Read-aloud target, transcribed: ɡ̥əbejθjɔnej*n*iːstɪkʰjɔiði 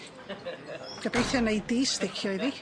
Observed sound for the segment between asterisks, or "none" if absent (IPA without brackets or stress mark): d